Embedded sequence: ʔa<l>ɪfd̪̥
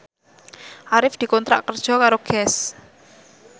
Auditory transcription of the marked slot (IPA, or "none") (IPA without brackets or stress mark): ɾ